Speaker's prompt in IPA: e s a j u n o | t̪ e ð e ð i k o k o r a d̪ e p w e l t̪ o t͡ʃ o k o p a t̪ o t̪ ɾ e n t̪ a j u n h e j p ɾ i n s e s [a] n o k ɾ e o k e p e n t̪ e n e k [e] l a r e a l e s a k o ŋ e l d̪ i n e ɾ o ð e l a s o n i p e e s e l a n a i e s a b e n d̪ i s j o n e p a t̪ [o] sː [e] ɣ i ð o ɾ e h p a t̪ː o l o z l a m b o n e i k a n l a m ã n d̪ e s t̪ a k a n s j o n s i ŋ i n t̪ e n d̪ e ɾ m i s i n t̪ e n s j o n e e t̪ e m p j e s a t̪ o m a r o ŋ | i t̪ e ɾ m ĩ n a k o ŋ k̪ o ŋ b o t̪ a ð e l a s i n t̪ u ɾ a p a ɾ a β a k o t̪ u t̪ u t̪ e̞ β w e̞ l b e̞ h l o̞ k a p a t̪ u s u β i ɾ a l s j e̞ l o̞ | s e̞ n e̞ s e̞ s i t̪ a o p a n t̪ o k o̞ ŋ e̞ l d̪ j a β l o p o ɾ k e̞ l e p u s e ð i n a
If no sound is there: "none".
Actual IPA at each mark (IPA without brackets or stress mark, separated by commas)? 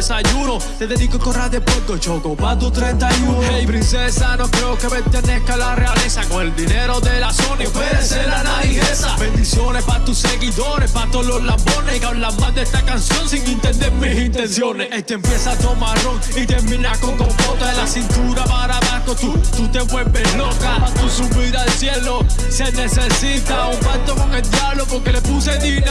a, a, u, e